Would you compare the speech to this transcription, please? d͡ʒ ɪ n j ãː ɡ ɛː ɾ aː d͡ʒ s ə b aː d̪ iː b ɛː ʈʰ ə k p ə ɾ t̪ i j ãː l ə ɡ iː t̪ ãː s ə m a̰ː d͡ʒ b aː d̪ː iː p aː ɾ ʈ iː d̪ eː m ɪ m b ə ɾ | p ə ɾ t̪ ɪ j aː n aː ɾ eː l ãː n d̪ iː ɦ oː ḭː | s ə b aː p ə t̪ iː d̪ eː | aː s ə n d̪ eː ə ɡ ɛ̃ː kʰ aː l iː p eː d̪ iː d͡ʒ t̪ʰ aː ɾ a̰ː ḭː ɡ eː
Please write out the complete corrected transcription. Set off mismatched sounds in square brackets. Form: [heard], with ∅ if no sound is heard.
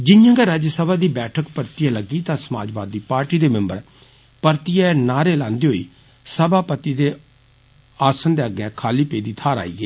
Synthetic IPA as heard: d͡ʒ ɪ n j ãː ɡ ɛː ɾ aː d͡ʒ s ə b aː d̪ iː b ɛː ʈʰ ə k p ə ɾ t̪ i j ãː l ə ɡ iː t̪ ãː s ə m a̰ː d͡ʒ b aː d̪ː iː p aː ɾ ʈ iː d̪ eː m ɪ m b ə ɾ | p ə ɾ t̪ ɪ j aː n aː ɾ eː l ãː n d̪ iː ɦ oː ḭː | s ə b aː p ə t̪ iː d̪ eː | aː s ə n d̪ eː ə ɡ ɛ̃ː kʰ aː l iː p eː d̪ iː [∅] t̪ʰ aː ɾ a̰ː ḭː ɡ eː